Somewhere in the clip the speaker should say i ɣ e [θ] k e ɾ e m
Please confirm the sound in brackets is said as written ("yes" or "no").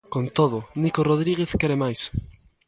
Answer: yes